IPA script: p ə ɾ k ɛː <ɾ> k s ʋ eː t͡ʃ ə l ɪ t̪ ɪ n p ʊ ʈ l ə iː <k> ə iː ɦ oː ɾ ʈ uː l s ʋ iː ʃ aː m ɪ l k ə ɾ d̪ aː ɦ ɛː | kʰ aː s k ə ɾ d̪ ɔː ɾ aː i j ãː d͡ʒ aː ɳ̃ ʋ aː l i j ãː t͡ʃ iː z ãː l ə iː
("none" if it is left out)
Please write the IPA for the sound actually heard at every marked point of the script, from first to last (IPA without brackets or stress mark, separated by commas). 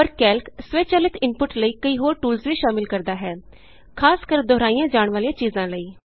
l, k